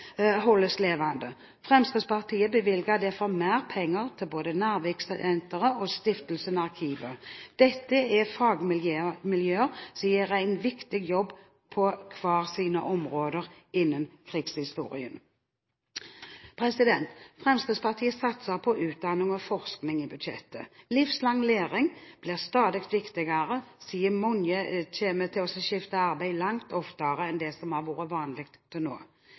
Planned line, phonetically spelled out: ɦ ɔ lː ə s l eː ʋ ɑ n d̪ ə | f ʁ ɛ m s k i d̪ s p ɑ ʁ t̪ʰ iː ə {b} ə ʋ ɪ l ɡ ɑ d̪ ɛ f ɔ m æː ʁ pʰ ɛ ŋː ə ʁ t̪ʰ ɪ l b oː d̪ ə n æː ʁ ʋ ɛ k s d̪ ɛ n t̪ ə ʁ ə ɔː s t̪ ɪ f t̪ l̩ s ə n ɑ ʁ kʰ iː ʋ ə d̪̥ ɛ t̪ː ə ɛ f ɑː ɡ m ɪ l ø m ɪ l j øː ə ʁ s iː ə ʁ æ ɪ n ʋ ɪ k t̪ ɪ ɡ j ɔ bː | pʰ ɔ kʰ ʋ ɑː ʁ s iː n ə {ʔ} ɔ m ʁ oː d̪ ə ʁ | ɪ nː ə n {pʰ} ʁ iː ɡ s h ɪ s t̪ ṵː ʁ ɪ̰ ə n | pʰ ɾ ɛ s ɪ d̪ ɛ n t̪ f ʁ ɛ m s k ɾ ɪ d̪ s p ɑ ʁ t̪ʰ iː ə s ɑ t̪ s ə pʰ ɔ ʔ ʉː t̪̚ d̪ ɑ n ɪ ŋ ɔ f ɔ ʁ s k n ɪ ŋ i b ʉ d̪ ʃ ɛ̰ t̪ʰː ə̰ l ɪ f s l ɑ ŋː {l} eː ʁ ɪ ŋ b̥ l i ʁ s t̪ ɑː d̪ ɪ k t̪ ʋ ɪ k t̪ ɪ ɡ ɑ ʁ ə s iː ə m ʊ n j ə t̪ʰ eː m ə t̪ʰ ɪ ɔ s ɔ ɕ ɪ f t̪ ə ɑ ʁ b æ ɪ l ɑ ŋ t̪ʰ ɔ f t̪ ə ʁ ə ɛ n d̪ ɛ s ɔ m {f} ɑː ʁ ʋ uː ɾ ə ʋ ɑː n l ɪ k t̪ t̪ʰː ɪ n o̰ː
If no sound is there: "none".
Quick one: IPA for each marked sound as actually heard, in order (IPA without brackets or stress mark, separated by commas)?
b, ʔ, kʰ, l, h